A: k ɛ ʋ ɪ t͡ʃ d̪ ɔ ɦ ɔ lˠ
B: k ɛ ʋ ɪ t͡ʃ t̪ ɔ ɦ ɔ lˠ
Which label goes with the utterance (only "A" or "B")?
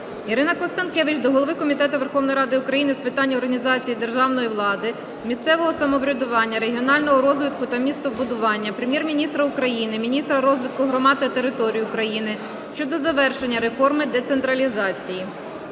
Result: A